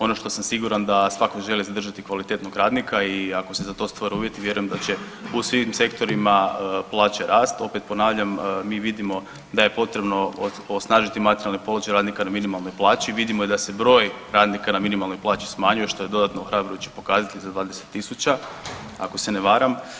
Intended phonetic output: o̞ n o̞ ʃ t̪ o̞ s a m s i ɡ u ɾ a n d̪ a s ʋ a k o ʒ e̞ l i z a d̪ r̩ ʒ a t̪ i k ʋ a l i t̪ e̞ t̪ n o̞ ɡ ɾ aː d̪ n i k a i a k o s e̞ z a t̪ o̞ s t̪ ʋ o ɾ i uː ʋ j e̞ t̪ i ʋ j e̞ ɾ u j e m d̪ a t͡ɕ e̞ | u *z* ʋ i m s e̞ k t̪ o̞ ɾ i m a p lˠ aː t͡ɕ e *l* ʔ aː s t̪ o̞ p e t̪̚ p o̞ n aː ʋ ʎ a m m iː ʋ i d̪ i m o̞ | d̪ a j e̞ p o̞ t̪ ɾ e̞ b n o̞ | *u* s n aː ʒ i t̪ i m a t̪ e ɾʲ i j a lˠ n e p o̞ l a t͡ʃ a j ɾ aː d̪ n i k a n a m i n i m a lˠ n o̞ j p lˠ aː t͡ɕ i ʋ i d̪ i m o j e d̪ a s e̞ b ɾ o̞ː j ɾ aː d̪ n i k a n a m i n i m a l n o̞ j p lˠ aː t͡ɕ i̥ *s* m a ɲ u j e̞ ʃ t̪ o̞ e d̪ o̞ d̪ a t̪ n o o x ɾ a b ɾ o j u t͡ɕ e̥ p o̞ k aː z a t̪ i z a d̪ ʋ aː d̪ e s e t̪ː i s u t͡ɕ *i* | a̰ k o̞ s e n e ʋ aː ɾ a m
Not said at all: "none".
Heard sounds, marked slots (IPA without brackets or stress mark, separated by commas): s, ɾ, o, s, a